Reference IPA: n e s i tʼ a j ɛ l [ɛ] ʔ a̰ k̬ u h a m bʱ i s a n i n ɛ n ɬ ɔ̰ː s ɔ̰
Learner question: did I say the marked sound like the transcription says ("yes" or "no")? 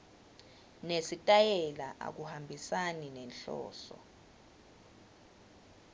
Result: no